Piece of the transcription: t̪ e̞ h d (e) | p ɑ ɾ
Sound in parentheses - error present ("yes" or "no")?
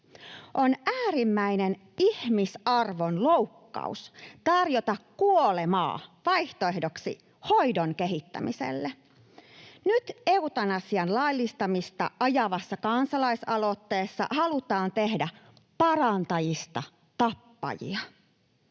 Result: yes